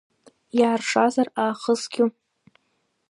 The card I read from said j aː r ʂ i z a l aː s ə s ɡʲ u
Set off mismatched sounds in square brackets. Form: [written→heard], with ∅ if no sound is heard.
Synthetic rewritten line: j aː r ʂ [i→a] z a [l→r] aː [s→χ] ə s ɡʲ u